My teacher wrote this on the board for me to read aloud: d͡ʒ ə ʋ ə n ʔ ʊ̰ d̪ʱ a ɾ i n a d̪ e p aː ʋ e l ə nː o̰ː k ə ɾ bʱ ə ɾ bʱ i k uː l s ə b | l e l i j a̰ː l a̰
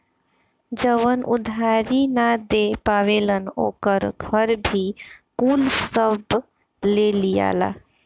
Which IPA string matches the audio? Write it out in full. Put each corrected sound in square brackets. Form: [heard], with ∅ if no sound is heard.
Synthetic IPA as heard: d͡ʒ ə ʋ ə n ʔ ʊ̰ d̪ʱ a ɾ i n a d̪ e p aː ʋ e l ə [n] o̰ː k ə ɾ [ɡʱ] ə ɾ bʱ i k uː l s ə b | l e l i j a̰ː l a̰